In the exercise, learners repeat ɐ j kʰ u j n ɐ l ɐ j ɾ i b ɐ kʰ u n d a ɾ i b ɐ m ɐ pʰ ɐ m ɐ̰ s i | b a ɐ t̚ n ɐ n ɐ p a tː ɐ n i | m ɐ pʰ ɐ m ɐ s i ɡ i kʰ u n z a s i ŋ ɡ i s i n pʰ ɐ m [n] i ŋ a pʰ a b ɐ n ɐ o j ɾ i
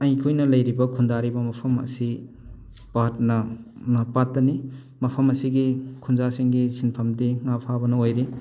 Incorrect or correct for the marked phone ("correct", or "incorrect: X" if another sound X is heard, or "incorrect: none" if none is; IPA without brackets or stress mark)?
incorrect: d